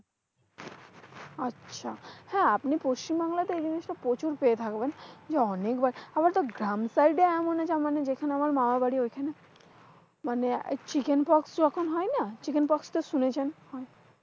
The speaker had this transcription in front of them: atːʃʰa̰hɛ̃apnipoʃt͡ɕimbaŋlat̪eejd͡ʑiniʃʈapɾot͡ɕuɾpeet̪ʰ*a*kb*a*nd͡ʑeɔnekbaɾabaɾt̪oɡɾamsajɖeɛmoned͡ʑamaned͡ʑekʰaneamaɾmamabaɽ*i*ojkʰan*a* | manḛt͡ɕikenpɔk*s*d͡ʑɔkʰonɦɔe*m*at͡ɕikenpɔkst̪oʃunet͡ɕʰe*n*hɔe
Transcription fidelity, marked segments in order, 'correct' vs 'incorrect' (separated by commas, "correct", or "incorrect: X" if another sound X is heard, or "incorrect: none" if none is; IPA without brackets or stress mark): correct, incorrect: e, correct, incorrect: e, correct, incorrect: n, correct